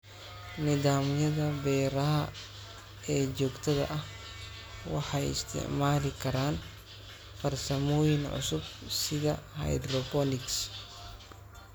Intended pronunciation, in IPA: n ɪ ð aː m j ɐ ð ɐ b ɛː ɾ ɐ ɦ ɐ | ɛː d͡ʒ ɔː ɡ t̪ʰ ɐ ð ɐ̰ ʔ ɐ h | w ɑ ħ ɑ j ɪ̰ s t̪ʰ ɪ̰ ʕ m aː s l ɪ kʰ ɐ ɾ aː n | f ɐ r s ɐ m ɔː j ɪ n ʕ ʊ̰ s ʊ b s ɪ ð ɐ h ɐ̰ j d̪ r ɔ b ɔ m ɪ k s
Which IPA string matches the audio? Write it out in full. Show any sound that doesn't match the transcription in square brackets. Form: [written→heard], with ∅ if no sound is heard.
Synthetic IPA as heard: n ɪ ð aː m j ɐ ð ɐ b ɛː ɾ ɐ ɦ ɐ | ɛː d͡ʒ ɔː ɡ t̪ʰ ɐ ð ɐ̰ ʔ ɐ h | w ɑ ħ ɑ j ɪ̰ s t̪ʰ ɪ̰ ʕ m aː [s→∅] l ɪ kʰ ɐ ɾ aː n | f ɐ r s ɐ m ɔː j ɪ n ʕ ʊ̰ s ʊ b s ɪ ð ɐ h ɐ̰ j d̪ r ɔ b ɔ [m→n] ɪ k s